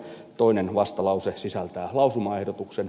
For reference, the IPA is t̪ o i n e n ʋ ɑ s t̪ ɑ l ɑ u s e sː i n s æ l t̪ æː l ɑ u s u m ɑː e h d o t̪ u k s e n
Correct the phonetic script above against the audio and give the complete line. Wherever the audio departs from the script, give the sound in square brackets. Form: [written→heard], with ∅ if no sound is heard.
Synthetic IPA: t̪ o i n e n ʋ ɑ s t̪ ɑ l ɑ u s e [sː→s] i [n→∅] s æ l t̪ æː l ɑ u s u m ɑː e h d o t̪ u k s e n